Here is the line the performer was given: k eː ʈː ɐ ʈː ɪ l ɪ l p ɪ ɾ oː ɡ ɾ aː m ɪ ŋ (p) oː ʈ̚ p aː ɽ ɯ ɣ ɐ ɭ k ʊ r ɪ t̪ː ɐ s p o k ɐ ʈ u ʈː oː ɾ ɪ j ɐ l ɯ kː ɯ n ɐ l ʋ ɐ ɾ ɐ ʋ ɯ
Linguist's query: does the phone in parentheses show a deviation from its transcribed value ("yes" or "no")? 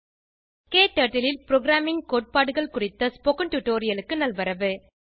yes